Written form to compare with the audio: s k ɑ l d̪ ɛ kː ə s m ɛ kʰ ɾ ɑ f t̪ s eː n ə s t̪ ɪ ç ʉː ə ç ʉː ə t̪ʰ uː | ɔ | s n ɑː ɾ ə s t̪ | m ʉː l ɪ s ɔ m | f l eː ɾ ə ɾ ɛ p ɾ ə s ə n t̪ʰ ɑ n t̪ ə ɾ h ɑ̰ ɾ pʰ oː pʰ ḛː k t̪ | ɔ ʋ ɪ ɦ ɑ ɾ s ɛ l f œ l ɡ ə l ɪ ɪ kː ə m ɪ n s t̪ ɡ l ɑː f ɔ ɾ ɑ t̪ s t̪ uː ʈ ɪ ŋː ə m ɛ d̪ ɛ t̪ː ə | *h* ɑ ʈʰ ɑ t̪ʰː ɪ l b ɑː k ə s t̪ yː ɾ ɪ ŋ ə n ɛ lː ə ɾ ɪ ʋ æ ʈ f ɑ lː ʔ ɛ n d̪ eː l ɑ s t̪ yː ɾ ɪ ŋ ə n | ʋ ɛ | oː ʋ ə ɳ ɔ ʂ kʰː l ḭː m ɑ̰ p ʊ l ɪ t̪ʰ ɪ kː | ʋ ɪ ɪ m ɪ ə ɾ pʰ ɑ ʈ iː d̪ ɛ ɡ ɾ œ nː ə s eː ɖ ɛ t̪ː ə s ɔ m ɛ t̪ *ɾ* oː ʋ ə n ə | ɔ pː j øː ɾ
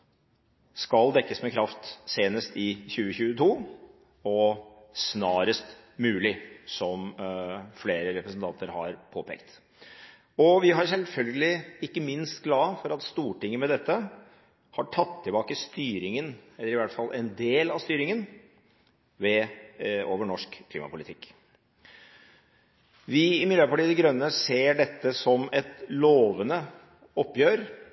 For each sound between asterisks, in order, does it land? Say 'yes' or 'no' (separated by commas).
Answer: yes, no